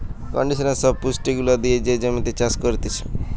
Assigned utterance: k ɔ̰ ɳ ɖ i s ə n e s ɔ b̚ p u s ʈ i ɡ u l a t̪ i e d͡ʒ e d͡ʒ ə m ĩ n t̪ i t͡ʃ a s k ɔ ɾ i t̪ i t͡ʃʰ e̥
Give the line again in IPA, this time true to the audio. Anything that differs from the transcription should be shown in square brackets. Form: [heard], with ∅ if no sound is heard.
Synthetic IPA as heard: k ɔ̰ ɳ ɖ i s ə n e s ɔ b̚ p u s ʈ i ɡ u l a [d̪] i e d͡ʒ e d͡ʒ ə m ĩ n t̪ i t͡ʃ a s k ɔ ɾ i t̪ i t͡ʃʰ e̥